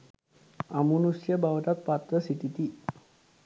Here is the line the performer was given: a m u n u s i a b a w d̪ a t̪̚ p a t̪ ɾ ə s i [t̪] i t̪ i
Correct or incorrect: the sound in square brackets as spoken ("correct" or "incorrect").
correct